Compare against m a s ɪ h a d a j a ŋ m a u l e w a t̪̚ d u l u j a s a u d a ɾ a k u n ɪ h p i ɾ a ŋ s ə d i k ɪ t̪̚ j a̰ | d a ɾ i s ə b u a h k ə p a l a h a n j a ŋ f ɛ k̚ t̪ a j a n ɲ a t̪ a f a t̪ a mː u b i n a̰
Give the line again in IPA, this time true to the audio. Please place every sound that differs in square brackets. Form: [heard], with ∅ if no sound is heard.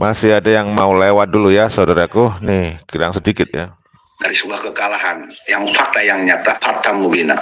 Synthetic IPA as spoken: m a s ɪ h a d a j a ŋ m a u l e w a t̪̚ d u l u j a s a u d a ɾ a k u n ɪ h [k] i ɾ a ŋ s ə d i k ɪ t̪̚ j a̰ | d a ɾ i s ə b u a h k ə [k] a l a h a n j a ŋ f [a] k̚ t̪ a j a [ŋ] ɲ a t̪ a f a t̪ a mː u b i n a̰

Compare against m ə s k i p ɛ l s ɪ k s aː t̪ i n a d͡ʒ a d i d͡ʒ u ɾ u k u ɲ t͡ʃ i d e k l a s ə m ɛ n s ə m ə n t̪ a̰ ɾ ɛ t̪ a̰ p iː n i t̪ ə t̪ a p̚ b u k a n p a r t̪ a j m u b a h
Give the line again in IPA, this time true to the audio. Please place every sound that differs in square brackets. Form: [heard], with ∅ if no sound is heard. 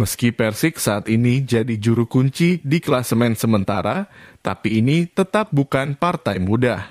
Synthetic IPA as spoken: m ə s k i p ɛ [r] s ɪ k s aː t̪ i n [i] d͡ʒ a d i d͡ʒ u ɾ u k u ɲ t͡ʃ i d [i] k l a s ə m ɛ n s ə m ə n t̪ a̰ ɾ [a] t̪ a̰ p iː n i t̪ ə t̪ a p̚ b u k a n p a r t̪ a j m u [d] a h

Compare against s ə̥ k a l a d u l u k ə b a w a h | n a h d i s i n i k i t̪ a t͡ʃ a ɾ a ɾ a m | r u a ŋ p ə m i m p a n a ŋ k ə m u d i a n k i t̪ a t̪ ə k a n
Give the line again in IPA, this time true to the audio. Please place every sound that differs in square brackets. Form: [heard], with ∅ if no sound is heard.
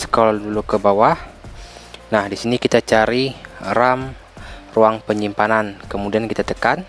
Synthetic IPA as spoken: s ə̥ k a l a d u l u k ə b a w a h | n a h d i s i n i k i t̪ a t͡ʃ a ɾ [i] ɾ a m | r u a ŋ p ə [ɲ] i m p a n a [n] k ə m u d i a n k i t̪ a t̪ ə k a n

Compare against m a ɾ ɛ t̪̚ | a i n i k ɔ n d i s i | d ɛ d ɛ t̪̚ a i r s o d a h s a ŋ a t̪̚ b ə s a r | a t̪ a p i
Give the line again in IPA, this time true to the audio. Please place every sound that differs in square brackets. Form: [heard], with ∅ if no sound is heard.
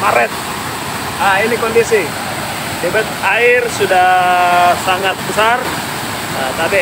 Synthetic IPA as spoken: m a ɾ ɛ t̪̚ | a i n i k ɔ n d i s i | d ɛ [b] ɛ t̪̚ a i r s [u] d a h s a ŋ a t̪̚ b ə s a r | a t̪ a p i

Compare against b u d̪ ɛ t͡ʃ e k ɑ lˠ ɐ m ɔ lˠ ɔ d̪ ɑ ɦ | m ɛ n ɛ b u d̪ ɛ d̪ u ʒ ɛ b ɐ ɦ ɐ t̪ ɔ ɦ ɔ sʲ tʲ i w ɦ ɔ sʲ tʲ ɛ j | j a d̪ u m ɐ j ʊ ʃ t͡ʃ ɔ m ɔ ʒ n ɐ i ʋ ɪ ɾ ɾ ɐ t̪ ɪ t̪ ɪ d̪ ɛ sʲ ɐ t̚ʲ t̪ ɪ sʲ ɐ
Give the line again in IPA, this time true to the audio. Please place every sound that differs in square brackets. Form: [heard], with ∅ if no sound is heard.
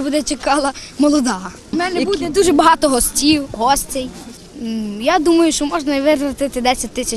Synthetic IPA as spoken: b u d̪ ɛ t͡ʃ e k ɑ lˠ ɐ m ɔ lˠ ɔ d̪ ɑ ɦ | m ɛ n ɛ b u d̪ ɛ d̪ u ʒ ɛ b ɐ ɦ [ɑ] t̪ ɔ ɦ ɔ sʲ tʲ i w ɦ ɔ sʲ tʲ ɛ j | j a d̪ u m ɐ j ʊ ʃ t͡ʃ ɔ m ɔ ʒ n ɐ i ʋ ɪ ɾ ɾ ɐ t̪ ɪ t̪ ɪ d̪ ɛ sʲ ɐ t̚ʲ t̪ ɪ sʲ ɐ

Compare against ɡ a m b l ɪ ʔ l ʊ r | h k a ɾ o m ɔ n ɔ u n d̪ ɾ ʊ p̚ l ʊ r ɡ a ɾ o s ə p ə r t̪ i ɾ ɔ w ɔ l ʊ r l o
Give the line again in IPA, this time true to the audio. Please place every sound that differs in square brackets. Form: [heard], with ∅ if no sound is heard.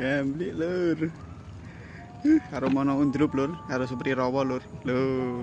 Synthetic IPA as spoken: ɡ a m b l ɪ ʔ l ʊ r | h k a ɾ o m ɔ n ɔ u n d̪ ɾ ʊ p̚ l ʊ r [k] a ɾ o s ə p ə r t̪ i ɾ ɔ w ɔ l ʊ r l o

